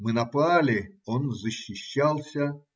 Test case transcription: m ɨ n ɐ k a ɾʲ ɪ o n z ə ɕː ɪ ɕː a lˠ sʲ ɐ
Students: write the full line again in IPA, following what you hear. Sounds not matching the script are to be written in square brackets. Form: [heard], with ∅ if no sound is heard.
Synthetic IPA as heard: m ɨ n ɐ [p] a [lʲ] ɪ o n z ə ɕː ɪ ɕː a lˠ sʲ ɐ